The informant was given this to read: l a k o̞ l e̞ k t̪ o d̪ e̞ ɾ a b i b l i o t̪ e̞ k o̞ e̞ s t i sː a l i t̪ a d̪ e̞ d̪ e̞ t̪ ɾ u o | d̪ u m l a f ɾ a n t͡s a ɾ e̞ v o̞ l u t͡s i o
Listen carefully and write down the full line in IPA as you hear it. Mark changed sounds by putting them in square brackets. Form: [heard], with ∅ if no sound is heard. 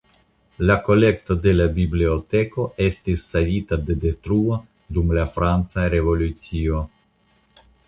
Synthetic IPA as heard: l a k o̞ l e̞ k t̪ o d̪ e̞ [l] a b i b l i o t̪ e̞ k o̞ e̞ s t i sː a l i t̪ a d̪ e̞ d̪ e̞ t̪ ɾ u o | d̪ u m l a f ɾ a n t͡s a ɾ e̞ v o̞ l u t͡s i o